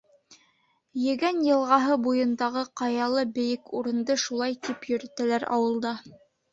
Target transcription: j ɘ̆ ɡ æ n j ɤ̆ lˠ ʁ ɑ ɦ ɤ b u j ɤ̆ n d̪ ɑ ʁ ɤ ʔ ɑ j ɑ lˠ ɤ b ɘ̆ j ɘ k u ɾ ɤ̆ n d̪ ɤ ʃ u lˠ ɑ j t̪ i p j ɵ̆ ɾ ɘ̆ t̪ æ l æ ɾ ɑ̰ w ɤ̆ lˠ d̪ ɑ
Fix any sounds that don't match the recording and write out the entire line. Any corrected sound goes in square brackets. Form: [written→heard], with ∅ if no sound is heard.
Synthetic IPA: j ɘ̆ ɡ æ n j ɤ̆ lˠ ʁ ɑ ɦ ɤ b u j ɤ̆ n d̪ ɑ ʁ ɤ [ʔ→q] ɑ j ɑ lˠ ɤ b ɘ̆ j ɘ k u ɾ ɤ̆ n d̪ ɤ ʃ u lˠ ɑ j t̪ i p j ɵ̆ ɾ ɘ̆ t̪ æ l æ ɾ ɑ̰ w ɤ̆ lˠ d̪ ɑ